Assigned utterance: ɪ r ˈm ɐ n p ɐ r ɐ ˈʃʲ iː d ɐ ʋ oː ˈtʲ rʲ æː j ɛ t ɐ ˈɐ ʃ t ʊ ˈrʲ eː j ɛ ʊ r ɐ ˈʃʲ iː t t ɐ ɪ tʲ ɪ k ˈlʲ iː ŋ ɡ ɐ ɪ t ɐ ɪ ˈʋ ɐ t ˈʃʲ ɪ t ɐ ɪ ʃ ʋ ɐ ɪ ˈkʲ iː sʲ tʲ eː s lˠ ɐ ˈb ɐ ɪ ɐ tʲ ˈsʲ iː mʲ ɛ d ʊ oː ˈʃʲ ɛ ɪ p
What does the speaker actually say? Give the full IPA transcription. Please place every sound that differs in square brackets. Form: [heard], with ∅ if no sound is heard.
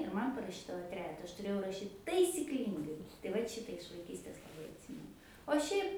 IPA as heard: ɪ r ˈm ɐ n p ɐ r ɐ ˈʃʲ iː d ɐ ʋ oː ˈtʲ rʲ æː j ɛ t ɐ ˈɐ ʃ t ʊ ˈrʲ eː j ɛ ʊ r ɐ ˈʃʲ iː t t ɐ ɪ [sʲ] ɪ k ˈlʲ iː ŋ ɡ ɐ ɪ t ɐ ɪ ˈʋ ɐ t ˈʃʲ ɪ t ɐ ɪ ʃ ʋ ɐ ɪ ˈkʲ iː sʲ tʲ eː s lˠ ɐ ˈb ɐ ɪ ɐ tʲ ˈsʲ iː mʲ ɛ [n] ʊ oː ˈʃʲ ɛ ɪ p